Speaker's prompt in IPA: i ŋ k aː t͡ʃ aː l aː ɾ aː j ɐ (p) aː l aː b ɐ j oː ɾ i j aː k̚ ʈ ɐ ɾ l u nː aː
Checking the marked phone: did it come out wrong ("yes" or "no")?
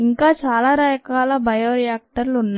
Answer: yes